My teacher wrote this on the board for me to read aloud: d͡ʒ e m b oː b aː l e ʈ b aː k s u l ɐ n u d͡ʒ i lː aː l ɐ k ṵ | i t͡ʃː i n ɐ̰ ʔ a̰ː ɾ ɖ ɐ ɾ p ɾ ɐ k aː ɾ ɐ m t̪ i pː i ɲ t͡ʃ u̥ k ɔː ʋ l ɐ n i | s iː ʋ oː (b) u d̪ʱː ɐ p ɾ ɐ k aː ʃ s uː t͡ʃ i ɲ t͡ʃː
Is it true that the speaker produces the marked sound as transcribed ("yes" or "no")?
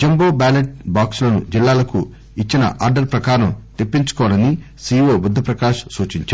yes